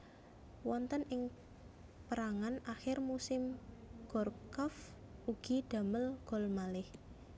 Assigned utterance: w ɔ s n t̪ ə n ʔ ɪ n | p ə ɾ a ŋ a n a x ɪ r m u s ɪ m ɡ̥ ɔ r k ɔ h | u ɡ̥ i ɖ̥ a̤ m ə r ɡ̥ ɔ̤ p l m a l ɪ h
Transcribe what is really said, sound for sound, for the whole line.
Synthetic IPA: w ɔ n t̪ ə n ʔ ɪ ŋ | p ə ɾ a ŋ a n a x ɪ r m u s ɪ m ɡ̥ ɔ r k ɔ f | u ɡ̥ i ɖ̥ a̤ m ə l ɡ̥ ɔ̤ l m a l ɪ h